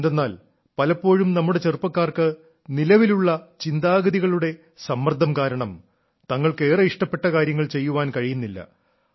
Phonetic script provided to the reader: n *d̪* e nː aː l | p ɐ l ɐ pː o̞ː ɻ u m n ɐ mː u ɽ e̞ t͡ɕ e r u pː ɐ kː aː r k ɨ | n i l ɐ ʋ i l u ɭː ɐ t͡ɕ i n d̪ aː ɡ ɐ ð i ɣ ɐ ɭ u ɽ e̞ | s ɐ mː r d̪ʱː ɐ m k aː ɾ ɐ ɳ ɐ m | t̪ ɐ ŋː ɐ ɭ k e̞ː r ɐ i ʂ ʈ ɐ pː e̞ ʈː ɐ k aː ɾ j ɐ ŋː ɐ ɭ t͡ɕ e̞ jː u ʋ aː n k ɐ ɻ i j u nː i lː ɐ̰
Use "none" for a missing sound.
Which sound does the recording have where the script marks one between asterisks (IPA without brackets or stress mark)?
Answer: d̪